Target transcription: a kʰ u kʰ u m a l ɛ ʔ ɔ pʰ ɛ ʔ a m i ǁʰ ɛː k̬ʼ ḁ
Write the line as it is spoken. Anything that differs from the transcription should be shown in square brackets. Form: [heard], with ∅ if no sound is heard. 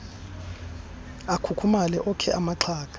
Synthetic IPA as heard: a kʰ u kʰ u m a l ɛ ʔ ɔ [kʰ] ɛ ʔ a m [a] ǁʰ [aː] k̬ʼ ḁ